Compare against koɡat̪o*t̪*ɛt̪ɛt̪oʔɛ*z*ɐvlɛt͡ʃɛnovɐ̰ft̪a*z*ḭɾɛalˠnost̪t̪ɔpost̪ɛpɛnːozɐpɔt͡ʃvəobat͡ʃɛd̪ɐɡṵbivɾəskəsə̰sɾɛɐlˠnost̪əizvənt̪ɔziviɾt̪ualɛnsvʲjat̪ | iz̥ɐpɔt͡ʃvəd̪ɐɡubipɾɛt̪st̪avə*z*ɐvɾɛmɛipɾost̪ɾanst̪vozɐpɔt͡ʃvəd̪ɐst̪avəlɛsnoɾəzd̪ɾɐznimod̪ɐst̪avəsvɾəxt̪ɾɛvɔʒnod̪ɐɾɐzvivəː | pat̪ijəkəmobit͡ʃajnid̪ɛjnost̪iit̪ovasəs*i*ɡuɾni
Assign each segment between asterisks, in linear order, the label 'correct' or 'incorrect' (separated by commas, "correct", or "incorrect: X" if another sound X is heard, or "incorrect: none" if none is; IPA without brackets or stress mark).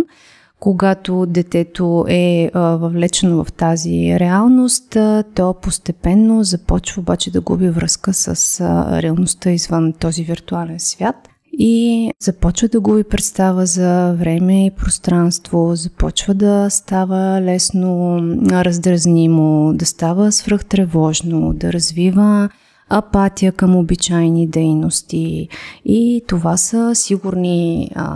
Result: incorrect: d̪, incorrect: v, correct, correct, correct